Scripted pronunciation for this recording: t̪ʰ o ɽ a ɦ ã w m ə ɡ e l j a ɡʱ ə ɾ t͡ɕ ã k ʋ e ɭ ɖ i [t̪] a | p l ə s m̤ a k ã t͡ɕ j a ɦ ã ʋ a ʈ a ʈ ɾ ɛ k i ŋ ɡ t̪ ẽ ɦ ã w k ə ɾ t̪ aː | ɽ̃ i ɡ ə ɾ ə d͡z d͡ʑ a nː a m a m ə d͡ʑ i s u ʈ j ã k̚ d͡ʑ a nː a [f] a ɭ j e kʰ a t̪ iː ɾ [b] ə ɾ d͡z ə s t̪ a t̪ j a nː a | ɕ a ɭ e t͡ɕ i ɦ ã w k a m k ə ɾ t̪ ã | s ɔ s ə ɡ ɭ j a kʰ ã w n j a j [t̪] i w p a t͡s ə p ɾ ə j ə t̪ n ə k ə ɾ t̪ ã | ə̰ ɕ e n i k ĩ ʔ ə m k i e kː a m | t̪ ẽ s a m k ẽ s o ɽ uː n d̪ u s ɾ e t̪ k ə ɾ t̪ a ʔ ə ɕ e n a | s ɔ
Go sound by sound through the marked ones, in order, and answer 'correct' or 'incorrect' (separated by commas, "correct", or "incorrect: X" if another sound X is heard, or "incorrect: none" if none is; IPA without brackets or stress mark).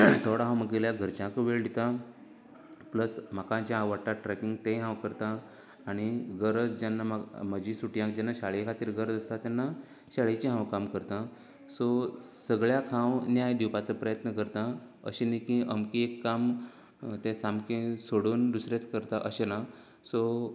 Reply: correct, incorrect: ɕ, incorrect: ɡ, incorrect: d̪